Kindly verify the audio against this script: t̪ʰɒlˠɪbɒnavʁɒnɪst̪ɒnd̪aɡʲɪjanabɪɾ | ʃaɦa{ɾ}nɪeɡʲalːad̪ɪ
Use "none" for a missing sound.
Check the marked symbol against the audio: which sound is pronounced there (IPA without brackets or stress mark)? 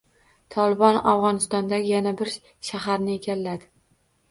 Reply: ɾ